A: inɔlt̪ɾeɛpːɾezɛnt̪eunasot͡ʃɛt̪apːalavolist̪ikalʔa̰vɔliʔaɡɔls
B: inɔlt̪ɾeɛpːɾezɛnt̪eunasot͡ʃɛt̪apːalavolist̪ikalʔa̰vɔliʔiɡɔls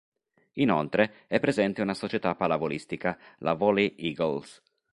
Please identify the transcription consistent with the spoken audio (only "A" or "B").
B